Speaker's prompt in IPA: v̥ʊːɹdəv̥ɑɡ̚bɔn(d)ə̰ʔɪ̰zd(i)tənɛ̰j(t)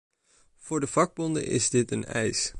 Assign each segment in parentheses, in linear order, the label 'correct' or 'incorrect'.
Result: correct, incorrect: ɪ, incorrect: s

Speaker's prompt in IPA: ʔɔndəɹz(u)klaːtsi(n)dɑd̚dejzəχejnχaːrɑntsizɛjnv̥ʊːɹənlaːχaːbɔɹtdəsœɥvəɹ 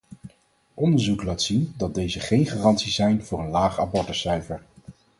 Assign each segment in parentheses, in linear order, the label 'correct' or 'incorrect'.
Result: correct, correct

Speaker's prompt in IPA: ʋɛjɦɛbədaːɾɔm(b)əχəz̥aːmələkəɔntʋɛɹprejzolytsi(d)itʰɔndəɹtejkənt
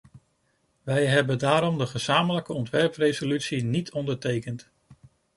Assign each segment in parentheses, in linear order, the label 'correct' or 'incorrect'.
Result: incorrect: d, incorrect: n

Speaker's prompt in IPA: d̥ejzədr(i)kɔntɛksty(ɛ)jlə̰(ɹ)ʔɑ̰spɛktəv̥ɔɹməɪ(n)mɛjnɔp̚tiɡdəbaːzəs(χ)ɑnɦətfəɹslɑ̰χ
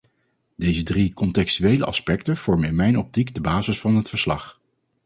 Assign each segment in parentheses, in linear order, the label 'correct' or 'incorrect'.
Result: correct, incorrect: e, incorrect: none, correct, incorrect: f

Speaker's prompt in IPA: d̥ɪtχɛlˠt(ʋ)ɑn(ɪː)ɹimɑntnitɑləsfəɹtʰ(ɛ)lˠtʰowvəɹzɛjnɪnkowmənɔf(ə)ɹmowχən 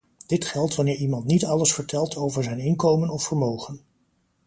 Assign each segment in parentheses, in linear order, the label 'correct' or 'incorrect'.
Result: correct, correct, correct, correct

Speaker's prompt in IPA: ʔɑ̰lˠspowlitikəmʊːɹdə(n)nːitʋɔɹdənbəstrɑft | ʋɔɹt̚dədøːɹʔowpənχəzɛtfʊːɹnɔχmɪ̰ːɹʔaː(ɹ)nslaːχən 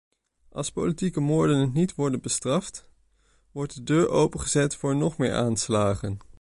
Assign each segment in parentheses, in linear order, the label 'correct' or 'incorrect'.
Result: correct, incorrect: none

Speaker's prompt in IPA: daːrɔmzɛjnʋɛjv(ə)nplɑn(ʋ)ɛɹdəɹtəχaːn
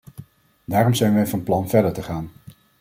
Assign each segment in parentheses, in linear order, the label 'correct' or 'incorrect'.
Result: incorrect: ɑ, incorrect: v

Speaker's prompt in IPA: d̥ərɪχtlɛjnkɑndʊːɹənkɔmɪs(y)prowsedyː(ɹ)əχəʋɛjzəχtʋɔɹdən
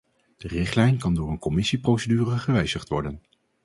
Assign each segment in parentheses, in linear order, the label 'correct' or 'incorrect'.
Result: incorrect: i, incorrect: r

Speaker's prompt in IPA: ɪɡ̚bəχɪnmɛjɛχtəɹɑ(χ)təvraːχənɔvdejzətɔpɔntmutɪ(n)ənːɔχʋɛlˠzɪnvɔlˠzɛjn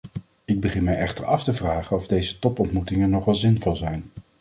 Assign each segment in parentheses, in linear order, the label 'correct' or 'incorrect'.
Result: incorrect: f, incorrect: ŋ

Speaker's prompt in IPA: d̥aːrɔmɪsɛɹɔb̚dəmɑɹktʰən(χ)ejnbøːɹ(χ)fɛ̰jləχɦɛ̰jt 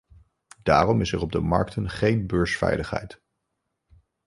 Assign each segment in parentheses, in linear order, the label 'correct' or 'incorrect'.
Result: correct, incorrect: s

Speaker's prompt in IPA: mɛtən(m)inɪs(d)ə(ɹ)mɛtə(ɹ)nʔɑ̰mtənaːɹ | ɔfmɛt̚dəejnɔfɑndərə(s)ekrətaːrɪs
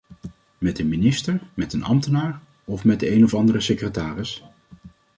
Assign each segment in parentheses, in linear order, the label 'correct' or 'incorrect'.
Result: correct, incorrect: t, correct, incorrect: none, correct

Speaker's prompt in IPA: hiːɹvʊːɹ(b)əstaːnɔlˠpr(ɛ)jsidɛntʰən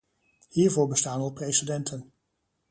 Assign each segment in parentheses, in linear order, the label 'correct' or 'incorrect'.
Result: correct, incorrect: e

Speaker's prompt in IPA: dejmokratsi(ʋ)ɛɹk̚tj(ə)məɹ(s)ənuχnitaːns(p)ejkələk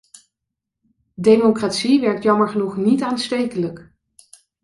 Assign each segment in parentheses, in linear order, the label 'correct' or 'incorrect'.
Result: correct, incorrect: ɑ, incorrect: χ, incorrect: t

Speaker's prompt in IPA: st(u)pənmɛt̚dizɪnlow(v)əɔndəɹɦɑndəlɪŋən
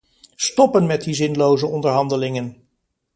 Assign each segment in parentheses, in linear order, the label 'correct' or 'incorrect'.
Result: incorrect: ɔ, incorrect: z

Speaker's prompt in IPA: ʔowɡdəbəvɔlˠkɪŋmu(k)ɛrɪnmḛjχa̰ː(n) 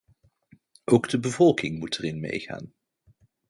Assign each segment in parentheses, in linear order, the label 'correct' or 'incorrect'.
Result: incorrect: t, correct

